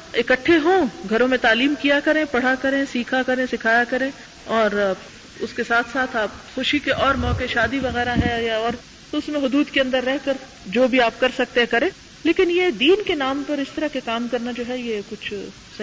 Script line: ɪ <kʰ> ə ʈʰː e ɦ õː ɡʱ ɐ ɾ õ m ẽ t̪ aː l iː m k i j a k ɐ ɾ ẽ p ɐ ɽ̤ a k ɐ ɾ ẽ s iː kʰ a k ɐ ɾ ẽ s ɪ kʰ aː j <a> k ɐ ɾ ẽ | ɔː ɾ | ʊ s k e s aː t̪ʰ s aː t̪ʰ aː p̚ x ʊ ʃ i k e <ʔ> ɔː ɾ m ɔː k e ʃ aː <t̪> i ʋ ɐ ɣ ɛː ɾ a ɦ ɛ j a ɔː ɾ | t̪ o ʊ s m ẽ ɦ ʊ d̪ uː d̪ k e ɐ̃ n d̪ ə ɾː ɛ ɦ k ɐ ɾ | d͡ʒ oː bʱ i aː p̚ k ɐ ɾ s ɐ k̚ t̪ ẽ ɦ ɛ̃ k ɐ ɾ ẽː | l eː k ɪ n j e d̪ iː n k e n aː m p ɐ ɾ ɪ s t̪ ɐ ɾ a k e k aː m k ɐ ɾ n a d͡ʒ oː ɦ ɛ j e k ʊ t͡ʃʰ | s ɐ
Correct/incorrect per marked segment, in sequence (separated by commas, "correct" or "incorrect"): incorrect, correct, correct, incorrect